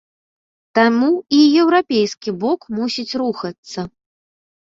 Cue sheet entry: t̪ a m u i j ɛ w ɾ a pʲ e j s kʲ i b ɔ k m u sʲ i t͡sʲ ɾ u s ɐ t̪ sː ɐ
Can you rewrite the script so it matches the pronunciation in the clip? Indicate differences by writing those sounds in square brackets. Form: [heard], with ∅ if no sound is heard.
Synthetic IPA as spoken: t̪ a m u i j ɛ w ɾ a pʲ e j s kʲ i b ɔ k m u sʲ i t͡sʲ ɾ u [x] ɐ t̪ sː ɐ